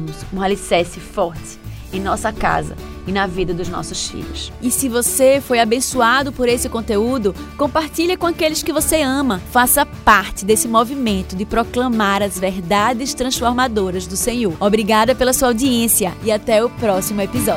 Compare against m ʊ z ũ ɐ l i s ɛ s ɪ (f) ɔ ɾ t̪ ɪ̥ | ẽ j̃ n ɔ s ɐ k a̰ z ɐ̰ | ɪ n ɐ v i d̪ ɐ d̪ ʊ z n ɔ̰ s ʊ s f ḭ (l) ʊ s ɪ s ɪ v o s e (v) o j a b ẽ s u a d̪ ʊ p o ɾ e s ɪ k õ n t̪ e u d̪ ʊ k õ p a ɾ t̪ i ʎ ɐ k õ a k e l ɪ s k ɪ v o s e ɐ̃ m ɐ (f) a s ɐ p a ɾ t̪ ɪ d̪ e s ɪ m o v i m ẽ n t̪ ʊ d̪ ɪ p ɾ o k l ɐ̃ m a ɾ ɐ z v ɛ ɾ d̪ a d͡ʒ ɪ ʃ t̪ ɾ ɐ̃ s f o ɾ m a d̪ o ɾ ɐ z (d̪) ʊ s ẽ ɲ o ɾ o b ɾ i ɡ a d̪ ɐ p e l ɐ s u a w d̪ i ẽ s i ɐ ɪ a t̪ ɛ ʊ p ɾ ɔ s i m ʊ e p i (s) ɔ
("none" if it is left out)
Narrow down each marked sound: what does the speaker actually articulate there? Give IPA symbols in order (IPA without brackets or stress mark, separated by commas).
f, ʎ, f, f, d̪, z